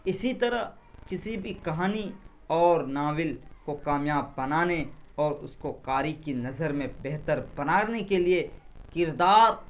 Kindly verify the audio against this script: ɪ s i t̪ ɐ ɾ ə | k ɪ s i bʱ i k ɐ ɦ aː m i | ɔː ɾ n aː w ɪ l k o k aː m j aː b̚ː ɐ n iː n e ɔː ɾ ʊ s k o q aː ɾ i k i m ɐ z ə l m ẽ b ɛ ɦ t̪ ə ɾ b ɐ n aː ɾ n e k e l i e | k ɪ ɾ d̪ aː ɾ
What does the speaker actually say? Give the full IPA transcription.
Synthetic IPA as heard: ɪ s i t̪ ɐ ɾ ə | k ɪ s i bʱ i k ɐ ɦ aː n i | ɔː ɾ n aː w ɪ l k o k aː m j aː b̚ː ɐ n aː n e ɔː ɾ ʊ s k o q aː ɾ i k i n ɐ z ə ɾ m ẽ b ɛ ɦ t̪ ə ɾ b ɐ n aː ɾ n e k e l i e | k ɪ ɾ d̪ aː ɾ